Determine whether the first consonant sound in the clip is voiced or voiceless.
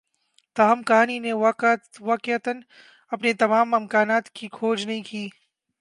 voiceless